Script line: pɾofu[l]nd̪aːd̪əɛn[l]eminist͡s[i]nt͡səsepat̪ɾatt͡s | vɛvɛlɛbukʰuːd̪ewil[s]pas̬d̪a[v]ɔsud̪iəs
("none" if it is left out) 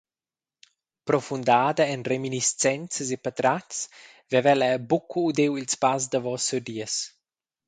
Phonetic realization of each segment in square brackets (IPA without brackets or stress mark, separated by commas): none, r, ɛ, s, v